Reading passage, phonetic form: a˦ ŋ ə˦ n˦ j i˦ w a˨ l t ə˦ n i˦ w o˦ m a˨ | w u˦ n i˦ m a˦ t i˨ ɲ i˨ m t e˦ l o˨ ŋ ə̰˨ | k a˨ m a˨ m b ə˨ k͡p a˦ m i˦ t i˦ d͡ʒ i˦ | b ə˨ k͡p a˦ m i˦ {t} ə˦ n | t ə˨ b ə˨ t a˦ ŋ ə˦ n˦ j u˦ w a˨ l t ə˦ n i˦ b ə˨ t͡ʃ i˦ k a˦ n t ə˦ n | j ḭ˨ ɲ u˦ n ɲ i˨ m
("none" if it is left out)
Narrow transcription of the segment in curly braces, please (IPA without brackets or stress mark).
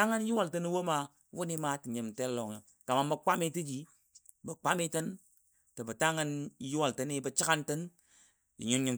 t